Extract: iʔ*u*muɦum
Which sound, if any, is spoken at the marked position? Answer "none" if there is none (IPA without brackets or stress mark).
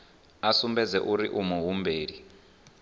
u